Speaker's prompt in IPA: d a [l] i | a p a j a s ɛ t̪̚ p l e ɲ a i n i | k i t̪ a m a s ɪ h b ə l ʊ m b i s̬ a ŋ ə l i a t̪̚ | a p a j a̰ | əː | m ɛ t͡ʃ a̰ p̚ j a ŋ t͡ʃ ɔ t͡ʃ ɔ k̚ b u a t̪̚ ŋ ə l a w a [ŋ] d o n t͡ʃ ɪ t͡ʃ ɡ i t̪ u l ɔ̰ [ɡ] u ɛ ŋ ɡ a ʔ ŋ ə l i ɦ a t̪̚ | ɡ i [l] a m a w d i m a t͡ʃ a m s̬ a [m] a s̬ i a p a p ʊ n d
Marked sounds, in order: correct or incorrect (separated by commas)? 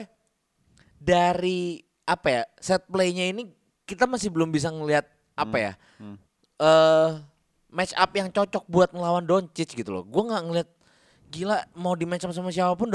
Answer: incorrect, incorrect, correct, correct, correct